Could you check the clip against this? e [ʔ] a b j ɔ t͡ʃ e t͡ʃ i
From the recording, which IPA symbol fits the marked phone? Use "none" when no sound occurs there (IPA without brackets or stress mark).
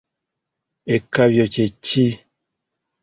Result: k